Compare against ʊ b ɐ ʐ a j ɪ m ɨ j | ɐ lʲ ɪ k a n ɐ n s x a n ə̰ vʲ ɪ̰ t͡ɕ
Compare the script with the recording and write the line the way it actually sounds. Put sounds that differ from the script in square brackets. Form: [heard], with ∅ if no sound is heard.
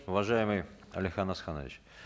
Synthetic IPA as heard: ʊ [v] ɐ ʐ a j ɪ m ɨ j | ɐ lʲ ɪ [x] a n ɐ [∅] s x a n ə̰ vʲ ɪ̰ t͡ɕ